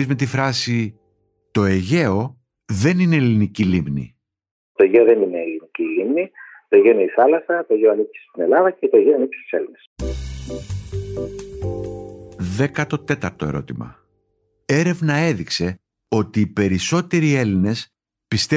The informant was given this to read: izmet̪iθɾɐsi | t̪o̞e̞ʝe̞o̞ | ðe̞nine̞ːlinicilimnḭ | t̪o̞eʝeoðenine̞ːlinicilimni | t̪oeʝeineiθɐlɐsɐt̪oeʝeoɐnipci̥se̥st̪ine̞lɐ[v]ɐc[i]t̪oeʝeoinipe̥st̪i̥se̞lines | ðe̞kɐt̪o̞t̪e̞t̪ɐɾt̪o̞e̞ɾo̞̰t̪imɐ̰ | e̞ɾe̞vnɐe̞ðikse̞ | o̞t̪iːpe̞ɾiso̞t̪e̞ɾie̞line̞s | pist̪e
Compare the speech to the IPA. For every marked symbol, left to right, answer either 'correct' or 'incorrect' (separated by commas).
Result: incorrect, incorrect